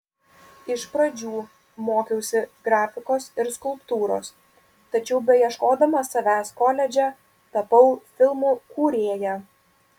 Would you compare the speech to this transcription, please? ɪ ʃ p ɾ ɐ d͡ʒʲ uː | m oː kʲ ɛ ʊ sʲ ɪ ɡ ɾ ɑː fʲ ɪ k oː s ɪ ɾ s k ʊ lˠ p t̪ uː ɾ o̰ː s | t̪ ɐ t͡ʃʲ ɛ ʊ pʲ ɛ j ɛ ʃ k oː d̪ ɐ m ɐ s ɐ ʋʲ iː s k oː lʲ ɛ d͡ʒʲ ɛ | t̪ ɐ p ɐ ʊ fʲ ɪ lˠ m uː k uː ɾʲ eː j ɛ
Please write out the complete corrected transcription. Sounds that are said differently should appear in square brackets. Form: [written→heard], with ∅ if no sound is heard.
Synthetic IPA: ɪ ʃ p ɾ ɐ d͡ʒʲ uː | m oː kʲ ɛ ʊ sʲ ɪ ɡ ɾ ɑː fʲ ɪ k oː s ɪ ɾ s k ʊ lˠ p t̪ uː ɾ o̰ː s | t̪ ɐ t͡ʃʲ ɛ ʊ [pʲ→bʲ] ɛ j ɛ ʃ k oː d̪ ɐ m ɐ s ɐ ʋʲ [iː→æː] s k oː lʲ ɛ d͡ʒʲ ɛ | t̪ ɐ p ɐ ʊ fʲ ɪ lˠ m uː k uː ɾʲ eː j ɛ